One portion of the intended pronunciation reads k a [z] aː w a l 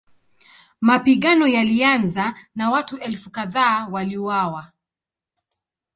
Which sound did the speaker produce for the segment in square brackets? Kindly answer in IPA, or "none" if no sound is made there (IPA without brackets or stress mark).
ð